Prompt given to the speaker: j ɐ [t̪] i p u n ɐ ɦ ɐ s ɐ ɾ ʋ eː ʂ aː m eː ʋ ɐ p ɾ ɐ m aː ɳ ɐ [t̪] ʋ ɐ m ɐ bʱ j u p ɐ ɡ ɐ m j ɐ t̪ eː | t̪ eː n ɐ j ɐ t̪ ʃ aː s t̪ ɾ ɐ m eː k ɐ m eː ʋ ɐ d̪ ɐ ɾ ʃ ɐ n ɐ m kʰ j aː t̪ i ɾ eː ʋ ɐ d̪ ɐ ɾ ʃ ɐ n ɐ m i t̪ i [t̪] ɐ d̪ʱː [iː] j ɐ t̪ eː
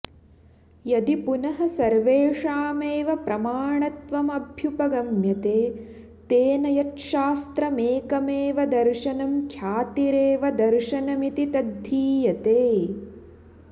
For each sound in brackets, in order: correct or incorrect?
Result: incorrect: d̪, correct, correct, correct

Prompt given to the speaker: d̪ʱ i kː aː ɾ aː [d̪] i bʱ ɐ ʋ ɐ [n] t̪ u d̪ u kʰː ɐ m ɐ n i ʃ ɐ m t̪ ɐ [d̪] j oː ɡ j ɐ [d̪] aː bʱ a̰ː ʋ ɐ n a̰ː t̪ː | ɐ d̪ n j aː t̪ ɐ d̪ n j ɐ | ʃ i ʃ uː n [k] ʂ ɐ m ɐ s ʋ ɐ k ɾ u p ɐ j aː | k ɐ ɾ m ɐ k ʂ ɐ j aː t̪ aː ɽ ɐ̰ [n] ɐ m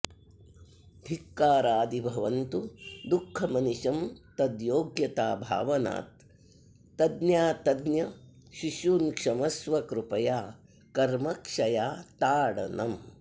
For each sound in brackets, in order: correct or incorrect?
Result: correct, correct, correct, incorrect: t̪, correct, correct

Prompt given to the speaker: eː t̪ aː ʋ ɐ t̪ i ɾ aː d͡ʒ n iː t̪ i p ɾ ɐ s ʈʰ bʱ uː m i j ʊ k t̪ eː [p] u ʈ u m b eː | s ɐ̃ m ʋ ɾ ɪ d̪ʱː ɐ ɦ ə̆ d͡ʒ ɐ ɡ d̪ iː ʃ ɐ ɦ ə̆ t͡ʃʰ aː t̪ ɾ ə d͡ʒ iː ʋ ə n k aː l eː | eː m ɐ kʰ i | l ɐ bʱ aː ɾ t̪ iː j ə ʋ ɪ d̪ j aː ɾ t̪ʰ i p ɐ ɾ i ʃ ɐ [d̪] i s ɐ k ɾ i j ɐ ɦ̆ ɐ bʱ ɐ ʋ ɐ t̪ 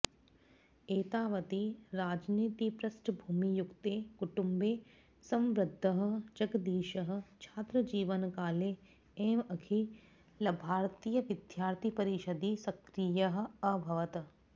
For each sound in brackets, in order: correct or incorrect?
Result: incorrect: k, correct

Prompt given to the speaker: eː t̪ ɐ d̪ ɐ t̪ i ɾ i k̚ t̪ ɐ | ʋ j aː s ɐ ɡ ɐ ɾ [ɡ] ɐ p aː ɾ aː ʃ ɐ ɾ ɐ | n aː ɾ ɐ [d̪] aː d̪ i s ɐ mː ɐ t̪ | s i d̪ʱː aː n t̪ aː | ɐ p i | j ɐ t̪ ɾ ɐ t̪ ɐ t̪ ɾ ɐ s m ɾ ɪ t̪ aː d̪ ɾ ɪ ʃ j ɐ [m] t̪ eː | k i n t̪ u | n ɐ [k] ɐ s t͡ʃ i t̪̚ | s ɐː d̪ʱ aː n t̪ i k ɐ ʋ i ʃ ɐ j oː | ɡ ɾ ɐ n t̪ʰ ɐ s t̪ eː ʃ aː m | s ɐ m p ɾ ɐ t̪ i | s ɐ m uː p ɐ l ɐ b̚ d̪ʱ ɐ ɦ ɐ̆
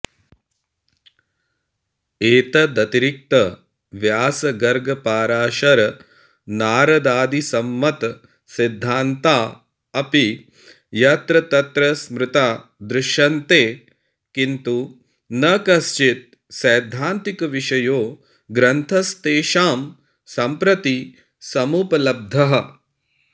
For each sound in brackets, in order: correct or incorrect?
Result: correct, correct, incorrect: n, correct

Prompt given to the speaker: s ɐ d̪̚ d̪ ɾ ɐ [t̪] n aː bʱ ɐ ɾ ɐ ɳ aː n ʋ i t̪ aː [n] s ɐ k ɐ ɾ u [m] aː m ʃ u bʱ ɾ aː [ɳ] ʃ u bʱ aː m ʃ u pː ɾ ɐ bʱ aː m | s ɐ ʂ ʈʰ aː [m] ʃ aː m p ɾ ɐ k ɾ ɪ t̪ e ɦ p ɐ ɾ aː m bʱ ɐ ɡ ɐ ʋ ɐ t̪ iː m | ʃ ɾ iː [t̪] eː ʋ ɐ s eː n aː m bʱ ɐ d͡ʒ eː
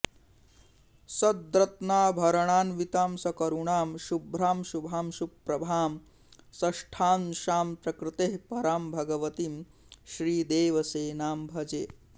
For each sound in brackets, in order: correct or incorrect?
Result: correct, incorrect: m, incorrect: ɳ, incorrect: m, incorrect: n, incorrect: d̪

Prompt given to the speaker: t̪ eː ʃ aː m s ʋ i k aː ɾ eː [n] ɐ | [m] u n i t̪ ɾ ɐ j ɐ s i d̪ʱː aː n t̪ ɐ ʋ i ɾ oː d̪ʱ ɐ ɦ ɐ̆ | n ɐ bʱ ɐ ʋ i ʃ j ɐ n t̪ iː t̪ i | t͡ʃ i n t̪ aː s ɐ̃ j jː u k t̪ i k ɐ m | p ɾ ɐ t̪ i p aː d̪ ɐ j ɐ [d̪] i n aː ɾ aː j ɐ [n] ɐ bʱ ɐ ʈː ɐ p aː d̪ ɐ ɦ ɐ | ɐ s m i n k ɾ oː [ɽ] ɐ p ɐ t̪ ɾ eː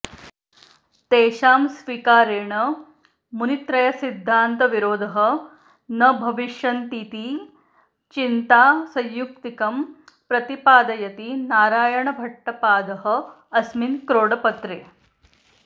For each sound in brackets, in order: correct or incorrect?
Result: incorrect: ɳ, correct, incorrect: t̪, incorrect: ɳ, correct

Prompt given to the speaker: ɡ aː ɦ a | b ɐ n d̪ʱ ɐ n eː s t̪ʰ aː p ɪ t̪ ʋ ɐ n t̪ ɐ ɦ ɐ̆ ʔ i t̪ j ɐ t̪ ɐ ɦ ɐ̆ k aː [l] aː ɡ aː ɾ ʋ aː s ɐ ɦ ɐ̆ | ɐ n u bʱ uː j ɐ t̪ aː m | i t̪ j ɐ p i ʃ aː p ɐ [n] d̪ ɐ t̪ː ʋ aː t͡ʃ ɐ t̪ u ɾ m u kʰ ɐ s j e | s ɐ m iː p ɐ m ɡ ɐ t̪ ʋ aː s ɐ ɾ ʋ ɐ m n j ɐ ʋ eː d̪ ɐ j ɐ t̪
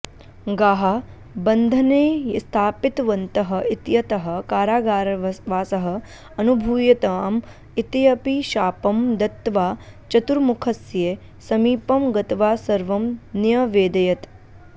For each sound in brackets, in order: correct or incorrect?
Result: incorrect: ɾ, incorrect: m

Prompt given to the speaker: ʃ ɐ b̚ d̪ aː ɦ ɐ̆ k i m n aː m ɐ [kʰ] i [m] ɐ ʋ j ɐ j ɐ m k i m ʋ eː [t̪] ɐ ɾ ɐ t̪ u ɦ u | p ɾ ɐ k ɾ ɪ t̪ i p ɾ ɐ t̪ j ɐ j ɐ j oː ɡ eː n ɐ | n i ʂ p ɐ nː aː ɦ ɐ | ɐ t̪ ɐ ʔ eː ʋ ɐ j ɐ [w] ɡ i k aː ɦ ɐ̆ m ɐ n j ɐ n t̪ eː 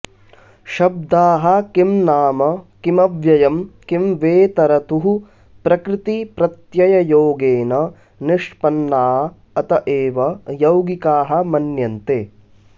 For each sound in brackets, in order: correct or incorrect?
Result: incorrect: k, correct, correct, correct

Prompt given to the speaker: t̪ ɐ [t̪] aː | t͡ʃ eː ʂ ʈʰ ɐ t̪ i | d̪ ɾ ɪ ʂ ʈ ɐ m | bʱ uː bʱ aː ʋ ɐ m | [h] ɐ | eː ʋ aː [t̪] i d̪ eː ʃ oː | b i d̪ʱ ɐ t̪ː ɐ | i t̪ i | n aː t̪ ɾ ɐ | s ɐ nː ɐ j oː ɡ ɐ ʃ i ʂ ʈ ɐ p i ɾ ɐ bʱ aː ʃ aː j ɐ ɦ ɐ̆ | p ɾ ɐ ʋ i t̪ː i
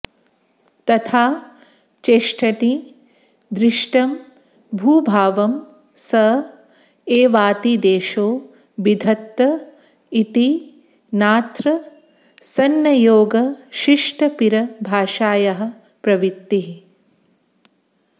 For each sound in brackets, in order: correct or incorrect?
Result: incorrect: t̪ʰ, incorrect: s, correct

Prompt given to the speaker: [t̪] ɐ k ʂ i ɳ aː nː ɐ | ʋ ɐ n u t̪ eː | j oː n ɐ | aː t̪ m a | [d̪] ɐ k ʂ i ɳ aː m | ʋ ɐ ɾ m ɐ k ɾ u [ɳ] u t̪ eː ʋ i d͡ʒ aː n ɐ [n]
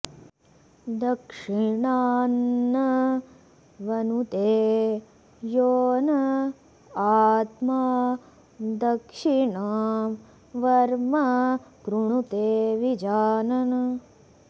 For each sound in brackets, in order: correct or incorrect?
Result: incorrect: d̪, correct, correct, correct

